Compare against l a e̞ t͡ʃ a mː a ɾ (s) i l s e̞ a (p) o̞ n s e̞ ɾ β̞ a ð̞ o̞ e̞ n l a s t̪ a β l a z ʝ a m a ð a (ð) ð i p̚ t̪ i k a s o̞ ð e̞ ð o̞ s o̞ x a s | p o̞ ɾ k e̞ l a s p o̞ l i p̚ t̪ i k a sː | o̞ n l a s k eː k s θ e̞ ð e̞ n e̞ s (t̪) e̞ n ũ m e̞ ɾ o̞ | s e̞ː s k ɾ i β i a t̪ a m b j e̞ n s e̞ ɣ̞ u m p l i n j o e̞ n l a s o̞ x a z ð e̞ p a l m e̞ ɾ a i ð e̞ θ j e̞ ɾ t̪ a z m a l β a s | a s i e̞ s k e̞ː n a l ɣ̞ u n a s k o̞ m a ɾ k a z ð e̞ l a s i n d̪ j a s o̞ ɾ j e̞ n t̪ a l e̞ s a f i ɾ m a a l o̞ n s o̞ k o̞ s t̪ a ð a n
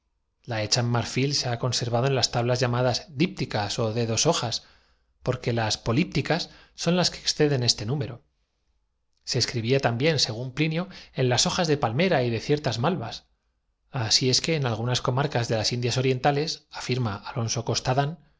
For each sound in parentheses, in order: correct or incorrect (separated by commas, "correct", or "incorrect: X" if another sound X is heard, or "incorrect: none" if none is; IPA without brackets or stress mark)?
incorrect: f, incorrect: k, incorrect: z, correct